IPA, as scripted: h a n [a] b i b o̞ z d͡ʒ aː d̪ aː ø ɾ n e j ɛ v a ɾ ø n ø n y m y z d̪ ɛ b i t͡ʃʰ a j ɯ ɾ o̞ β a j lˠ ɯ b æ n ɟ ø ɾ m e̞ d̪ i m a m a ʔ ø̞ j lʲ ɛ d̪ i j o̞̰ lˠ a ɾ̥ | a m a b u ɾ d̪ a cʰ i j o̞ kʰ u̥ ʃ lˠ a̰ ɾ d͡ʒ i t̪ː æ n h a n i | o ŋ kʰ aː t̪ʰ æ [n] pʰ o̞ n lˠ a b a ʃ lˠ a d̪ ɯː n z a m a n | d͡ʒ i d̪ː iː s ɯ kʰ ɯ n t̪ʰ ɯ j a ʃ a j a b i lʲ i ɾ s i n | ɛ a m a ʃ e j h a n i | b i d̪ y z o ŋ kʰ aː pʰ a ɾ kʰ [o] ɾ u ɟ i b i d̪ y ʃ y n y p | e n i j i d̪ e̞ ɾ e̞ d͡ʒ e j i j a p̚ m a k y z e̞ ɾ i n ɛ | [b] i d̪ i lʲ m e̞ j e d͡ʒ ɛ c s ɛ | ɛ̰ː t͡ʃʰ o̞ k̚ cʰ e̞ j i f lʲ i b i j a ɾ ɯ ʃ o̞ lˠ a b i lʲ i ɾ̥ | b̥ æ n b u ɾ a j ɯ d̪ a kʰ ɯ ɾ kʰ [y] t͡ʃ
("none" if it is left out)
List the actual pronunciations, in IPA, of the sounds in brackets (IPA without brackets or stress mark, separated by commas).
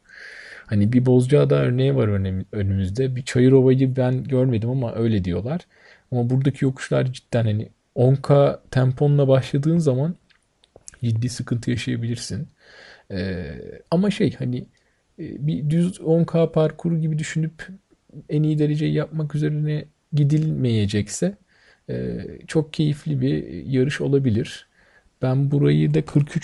i, m, u, ɟ, y